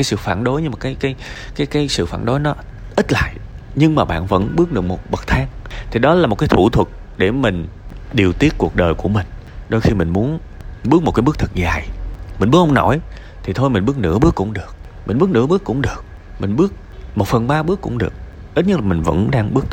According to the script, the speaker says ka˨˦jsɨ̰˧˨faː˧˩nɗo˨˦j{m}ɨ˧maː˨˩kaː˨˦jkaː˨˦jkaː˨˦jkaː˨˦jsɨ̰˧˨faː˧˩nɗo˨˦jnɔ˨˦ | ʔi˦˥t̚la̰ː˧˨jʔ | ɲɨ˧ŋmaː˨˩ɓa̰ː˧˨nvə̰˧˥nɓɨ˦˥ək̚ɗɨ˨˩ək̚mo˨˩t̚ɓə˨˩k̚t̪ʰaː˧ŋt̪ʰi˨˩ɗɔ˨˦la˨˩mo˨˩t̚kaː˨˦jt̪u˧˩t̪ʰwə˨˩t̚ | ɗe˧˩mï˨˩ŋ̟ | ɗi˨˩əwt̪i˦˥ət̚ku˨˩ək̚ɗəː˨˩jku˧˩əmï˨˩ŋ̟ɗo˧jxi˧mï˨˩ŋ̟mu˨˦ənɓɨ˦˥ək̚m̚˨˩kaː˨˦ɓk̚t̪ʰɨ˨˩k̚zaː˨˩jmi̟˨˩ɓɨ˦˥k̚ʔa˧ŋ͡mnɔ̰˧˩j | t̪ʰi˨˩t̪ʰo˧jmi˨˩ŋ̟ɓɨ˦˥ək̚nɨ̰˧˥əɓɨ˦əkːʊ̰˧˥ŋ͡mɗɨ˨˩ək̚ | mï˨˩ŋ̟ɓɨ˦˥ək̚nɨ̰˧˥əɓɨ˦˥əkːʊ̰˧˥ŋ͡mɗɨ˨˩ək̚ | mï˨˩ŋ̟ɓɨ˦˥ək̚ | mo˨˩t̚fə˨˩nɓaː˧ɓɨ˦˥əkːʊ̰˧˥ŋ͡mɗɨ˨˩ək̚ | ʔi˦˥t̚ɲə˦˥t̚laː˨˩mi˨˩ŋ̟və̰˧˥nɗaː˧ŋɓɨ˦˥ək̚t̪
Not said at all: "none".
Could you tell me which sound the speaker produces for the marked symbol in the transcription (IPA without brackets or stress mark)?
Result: ɲ